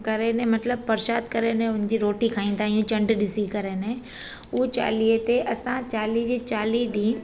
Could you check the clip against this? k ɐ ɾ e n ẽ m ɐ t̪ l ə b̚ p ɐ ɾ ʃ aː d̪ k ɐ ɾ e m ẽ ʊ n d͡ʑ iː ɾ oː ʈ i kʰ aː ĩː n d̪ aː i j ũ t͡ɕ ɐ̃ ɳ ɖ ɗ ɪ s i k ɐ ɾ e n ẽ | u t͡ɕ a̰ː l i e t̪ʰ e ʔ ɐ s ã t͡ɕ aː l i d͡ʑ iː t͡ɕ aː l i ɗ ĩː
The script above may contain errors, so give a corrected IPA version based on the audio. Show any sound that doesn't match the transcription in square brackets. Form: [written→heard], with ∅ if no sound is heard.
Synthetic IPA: k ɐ ɾ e n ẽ m ɐ t̪ l ə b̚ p ɐ ɾ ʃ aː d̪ k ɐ ɾ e [m→n] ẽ ʊ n d͡ʑ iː ɾ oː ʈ i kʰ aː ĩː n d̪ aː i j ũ t͡ɕ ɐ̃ ɳ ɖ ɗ ɪ s i k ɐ ɾ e n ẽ | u t͡ɕ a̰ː l i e [t̪ʰ→t̪] e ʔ ɐ s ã t͡ɕ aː l i d͡ʑ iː t͡ɕ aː l i ɗ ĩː